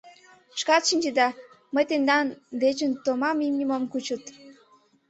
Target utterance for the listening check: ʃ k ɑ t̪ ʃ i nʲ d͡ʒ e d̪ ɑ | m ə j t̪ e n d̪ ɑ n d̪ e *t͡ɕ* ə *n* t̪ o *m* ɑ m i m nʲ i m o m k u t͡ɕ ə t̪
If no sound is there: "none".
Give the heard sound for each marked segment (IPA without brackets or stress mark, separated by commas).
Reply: t͡ɕ, n, m